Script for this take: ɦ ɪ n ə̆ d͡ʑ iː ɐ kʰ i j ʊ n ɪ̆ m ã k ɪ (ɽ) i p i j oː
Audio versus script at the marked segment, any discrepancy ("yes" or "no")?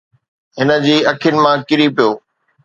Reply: yes